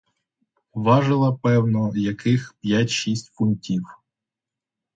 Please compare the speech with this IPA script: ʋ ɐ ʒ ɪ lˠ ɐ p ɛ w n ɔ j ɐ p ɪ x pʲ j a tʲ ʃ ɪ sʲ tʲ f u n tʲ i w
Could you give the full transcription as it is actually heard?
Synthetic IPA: ʋ ɑ ʒ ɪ lˠ ɐ p ɛ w n ɔ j ɐ k ɪ x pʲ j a tʲ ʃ i sʲ tʲ f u n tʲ i w